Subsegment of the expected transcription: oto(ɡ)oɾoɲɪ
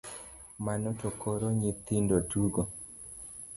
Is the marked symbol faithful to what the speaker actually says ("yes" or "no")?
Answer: no